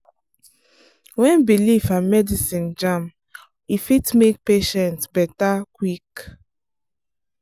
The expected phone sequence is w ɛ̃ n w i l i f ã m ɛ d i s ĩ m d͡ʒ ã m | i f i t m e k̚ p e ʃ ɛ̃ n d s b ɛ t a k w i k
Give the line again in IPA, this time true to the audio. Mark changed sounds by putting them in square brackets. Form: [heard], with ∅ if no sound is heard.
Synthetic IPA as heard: w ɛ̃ n [b] i l i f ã m ɛ d i s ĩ [n] d͡ʒ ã m | i f i t m e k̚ p e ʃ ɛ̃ n [t] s b ɛ t a k w i k